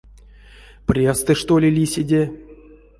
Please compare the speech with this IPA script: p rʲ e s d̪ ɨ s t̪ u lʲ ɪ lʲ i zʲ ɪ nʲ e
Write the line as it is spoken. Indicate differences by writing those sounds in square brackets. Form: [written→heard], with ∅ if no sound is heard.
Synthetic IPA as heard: p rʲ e s [d̪→t̪] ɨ [s→ʂ] t̪ [u→o] lʲ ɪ lʲ i [zʲ→sʲ] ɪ [nʲ→dʲ] e